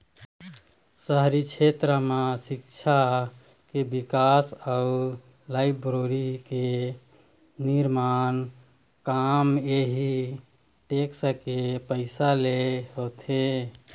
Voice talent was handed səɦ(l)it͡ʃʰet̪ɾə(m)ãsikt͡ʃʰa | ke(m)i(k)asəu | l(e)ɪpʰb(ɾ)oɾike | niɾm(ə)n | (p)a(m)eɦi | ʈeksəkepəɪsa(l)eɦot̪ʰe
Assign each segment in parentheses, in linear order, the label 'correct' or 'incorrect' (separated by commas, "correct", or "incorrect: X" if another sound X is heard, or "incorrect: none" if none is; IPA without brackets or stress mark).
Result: incorrect: ɾ, correct, incorrect: b, correct, incorrect: a, correct, incorrect: a, incorrect: k, correct, correct